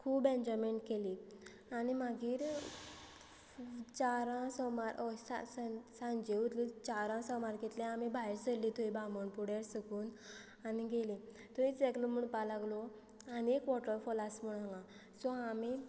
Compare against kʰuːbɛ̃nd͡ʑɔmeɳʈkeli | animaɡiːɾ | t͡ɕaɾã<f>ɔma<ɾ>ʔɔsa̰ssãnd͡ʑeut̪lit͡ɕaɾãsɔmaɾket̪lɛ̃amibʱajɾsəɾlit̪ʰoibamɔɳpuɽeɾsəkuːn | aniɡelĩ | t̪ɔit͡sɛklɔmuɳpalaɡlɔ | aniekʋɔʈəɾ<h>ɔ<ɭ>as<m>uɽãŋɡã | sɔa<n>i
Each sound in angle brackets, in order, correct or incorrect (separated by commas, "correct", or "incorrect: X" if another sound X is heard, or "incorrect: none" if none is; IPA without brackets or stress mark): incorrect: s, correct, incorrect: f, incorrect: l, correct, incorrect: m